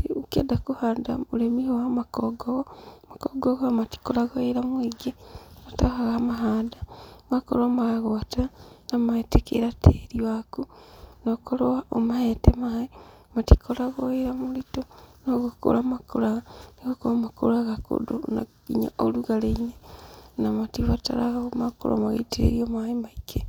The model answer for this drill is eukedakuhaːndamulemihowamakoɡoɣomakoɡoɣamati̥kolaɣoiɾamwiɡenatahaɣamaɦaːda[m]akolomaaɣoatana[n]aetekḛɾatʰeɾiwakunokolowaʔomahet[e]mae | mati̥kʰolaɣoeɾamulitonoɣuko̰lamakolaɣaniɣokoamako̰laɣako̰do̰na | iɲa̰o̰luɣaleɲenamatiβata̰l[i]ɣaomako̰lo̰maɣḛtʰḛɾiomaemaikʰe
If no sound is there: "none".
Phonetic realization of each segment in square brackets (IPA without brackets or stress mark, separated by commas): m, m, e, a